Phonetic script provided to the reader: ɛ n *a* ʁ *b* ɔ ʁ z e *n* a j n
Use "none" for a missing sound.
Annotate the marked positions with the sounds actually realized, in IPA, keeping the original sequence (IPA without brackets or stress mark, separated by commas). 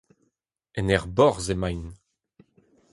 ɛ, b, m